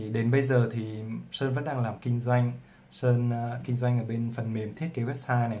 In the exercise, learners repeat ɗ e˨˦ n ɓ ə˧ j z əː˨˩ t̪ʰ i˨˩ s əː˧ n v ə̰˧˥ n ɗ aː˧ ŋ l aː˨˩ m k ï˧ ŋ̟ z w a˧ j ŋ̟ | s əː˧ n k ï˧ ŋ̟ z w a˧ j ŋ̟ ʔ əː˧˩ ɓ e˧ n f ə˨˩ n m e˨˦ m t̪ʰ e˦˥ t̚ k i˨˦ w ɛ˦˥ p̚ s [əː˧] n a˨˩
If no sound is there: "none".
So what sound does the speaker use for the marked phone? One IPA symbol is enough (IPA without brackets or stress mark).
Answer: aː˧